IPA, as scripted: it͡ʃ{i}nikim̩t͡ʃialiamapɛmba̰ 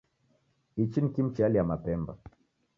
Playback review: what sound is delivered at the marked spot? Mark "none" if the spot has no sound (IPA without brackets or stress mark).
i